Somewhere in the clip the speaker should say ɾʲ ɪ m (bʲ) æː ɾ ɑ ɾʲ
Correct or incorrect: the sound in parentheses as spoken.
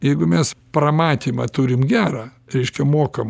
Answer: incorrect: ɡʲ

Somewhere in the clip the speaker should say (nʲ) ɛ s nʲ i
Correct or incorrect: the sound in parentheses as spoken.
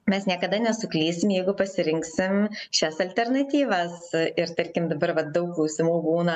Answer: incorrect: mʲ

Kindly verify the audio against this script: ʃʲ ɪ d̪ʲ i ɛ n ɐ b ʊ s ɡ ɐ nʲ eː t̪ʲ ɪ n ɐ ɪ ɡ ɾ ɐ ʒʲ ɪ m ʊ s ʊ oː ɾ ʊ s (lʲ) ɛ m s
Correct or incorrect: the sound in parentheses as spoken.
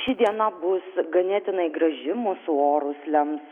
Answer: correct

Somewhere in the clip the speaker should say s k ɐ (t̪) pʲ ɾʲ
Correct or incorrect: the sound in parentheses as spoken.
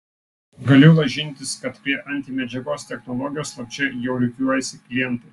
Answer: correct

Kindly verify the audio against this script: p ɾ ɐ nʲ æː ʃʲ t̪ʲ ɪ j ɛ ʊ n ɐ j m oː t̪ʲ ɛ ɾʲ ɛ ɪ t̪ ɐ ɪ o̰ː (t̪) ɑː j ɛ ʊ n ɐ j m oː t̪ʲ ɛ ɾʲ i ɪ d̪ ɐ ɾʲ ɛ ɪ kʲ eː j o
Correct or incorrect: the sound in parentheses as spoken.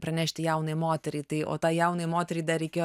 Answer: correct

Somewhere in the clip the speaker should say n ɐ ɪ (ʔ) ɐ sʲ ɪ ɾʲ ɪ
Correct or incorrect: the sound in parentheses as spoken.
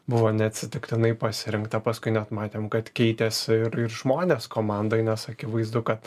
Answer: incorrect: p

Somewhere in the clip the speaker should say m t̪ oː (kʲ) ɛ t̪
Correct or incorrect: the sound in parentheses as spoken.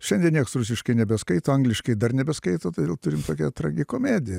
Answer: correct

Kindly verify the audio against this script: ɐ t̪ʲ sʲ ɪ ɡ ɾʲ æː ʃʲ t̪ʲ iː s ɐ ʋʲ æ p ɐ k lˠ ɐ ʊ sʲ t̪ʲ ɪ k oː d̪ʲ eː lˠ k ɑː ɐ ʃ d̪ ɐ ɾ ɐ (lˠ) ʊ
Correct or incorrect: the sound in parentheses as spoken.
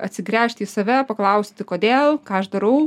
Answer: incorrect: none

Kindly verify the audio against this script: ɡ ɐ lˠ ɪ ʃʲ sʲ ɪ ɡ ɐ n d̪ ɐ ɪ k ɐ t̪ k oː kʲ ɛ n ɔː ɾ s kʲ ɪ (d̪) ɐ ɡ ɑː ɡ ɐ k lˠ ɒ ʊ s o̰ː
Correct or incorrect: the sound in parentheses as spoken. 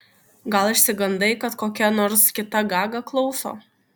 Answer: incorrect: t̪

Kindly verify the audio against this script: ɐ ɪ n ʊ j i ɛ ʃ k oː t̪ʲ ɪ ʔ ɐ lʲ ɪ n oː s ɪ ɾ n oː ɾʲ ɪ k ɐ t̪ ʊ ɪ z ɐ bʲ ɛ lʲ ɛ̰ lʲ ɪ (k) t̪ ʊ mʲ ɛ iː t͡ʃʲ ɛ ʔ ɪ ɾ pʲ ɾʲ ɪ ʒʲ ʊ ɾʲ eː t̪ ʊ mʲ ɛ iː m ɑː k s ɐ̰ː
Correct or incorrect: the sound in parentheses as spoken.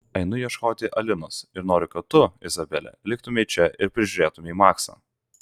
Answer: correct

